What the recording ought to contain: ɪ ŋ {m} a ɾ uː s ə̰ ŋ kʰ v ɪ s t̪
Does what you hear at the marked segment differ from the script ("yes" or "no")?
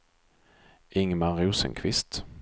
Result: no